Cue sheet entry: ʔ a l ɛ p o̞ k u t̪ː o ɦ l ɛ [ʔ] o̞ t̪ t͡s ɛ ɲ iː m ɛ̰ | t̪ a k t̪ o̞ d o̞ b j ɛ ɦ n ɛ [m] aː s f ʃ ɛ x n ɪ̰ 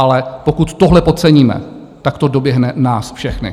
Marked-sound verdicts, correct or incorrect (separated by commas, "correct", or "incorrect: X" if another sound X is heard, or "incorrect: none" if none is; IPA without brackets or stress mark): incorrect: p, incorrect: n